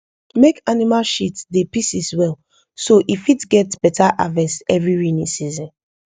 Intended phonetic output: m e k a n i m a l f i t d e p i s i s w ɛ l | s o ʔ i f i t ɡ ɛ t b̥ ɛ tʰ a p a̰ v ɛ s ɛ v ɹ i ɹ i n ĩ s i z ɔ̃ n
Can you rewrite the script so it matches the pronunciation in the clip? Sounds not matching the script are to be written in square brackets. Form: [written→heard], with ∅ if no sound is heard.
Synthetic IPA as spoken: m e k a n i m a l [f→ʃ] i t d e p i s i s w ɛ l | s o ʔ i f i t ɡ ɛ t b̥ ɛ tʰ a [p→ʔ] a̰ v ɛ s ɛ v ɹ i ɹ i n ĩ s i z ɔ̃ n

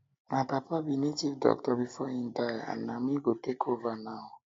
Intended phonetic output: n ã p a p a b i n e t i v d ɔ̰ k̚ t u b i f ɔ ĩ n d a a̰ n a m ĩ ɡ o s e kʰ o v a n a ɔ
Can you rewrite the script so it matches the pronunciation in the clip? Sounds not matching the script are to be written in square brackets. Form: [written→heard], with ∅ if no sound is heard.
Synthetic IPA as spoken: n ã p a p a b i n e t i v d ɔ̰ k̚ t [u→ɔ] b i f ɔ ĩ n d a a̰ n a m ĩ ɡ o [s→t] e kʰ o v a n a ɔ

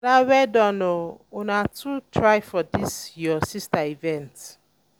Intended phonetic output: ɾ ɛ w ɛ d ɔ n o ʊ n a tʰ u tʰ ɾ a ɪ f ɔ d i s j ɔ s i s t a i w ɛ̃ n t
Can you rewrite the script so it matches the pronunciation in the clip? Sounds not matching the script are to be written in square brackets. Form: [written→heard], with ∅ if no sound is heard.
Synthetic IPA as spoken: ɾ [ɛ→a] w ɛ d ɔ n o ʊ n a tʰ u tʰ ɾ a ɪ f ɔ d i s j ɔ s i s t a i [w→v] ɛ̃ n t

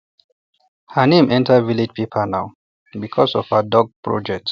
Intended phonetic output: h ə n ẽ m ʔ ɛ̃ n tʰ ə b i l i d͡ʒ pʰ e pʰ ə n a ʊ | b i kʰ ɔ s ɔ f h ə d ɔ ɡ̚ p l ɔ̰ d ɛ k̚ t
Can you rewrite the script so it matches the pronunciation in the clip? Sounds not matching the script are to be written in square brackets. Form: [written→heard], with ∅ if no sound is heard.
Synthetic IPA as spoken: h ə n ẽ m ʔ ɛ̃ n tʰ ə [b→v] i l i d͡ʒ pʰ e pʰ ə n a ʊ | b i kʰ ɔ s ɔ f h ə d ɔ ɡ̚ p [l→ɹ] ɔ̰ [d→d͡ʒ] ɛ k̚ t

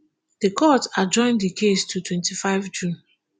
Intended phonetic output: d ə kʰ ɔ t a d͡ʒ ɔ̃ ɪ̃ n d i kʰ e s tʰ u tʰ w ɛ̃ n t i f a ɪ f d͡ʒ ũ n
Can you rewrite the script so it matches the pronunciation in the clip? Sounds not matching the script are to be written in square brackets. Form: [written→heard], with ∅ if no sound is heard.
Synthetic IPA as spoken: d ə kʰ ɔ t a d͡ʒ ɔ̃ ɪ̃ n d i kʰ e s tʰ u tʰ w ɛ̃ n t i f a ɪ [f→v] d͡ʒ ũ n

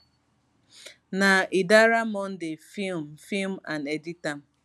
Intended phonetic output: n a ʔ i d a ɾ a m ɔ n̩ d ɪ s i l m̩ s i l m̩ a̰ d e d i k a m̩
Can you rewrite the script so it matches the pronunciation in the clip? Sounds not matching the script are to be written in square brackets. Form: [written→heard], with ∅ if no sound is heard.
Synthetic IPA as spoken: n a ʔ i d a ɾ a m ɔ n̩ d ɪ [s→f] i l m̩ [s→f] i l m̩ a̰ [d→n] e d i [k→t] a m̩

